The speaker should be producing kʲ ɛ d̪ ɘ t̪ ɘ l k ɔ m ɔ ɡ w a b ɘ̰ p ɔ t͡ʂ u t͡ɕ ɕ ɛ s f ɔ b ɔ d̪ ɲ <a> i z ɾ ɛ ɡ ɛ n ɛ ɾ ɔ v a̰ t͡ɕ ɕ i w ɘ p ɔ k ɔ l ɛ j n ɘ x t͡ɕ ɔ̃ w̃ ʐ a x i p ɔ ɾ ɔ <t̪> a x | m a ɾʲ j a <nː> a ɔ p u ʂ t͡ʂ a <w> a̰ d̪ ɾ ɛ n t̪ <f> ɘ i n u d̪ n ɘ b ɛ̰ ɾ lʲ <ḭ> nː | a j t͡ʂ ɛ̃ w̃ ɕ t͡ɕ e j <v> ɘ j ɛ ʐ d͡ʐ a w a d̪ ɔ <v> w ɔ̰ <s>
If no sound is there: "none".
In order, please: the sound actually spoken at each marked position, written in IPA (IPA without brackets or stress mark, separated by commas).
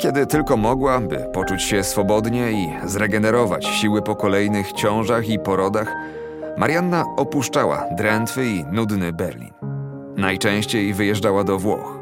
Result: ɛ, d̪, nː, w, f, ḭ, v, v, x